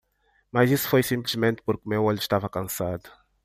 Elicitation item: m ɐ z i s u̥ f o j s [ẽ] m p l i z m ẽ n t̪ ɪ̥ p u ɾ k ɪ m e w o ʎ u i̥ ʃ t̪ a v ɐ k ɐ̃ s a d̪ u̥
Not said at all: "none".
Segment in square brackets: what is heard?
ĩ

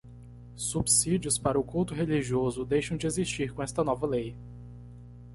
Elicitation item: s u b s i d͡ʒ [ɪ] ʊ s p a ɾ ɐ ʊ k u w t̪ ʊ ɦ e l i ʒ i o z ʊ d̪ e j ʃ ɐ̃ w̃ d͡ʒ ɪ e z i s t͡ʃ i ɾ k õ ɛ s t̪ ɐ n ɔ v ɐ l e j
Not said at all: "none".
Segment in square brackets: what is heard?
i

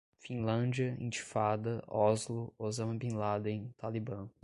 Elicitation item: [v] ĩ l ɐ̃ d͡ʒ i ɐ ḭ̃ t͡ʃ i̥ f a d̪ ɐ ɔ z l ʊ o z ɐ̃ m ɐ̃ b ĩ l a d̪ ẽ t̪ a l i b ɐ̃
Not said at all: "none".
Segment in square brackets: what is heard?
f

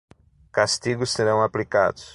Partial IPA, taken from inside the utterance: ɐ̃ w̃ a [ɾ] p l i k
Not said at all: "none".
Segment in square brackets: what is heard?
none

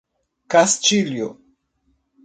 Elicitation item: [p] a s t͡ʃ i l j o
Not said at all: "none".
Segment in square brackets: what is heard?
k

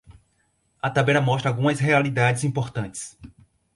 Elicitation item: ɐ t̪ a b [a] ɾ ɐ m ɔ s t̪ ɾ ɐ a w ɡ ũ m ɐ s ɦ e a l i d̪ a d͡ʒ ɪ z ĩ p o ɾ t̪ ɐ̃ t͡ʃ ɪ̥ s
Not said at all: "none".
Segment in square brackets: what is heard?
ɛ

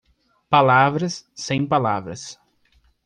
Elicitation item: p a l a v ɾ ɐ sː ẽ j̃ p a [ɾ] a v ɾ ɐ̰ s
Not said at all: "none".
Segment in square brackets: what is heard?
l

